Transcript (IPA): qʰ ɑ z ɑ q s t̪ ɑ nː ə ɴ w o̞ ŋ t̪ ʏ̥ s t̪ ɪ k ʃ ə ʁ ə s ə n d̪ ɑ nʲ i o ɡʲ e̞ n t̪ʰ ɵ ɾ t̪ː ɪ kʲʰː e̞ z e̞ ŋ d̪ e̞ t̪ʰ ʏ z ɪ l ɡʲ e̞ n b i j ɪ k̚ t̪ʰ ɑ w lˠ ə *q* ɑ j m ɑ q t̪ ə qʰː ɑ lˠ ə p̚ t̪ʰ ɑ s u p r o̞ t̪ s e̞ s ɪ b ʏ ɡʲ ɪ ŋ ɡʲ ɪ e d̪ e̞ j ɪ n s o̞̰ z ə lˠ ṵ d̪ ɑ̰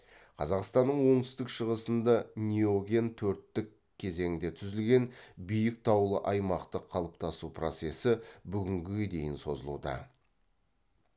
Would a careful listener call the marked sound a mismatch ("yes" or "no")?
yes